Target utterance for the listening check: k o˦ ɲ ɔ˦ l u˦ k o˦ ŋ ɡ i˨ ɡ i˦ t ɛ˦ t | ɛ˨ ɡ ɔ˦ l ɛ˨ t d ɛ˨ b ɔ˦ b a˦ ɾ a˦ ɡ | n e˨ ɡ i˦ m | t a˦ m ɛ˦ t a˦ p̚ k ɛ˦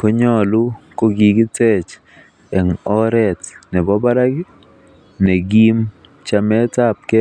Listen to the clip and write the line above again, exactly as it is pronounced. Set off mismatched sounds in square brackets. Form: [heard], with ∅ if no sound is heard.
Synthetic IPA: k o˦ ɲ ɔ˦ l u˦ k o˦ [∅] ɡ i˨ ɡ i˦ t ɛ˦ [t͡ʃ] | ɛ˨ [ŋ] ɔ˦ [ɾ] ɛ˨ t [n] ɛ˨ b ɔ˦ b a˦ ɾ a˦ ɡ | n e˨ ɡ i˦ m | [t͡ʃ] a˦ m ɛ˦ t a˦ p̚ k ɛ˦